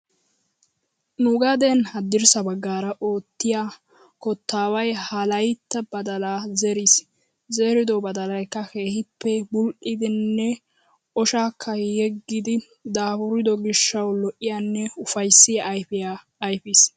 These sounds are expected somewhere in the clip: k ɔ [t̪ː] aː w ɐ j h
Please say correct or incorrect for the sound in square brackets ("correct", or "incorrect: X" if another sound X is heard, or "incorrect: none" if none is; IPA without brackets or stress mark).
correct